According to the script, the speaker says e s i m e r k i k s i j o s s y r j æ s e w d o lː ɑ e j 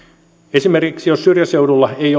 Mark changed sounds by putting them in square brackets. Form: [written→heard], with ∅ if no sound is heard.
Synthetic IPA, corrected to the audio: e s i m e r k i k s i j o s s y r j æ s e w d [o→u] lː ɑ e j